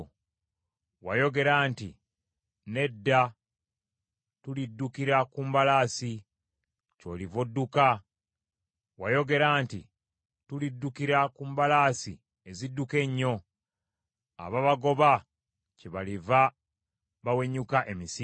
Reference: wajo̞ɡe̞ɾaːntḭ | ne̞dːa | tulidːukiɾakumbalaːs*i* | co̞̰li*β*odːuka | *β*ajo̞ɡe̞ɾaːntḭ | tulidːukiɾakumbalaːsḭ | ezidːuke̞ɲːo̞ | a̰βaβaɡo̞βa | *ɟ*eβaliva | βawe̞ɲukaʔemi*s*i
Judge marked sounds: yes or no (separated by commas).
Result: yes, no, no, no, yes